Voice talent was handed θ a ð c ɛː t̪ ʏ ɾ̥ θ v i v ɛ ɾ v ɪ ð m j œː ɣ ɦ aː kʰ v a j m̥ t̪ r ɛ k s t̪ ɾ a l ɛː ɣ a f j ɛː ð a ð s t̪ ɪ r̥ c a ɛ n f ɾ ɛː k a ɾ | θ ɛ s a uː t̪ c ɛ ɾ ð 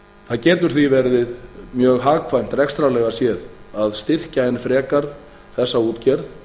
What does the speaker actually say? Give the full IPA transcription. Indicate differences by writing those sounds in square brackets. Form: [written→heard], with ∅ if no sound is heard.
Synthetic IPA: θ a ð c ɛː t̪ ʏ ɾ̥ θ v i v ɛ ɾ [v→ð] ɪ ð m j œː ɣ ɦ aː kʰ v a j m̥ t̪ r ɛ k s t̪ ɾ a l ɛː ɣ a [f→s] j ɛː ð a ð s t̪ ɪ r̥ c a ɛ n f ɾ ɛː k a ɾ | θ ɛ [s→sː] a uː t̪ c ɛ ɾ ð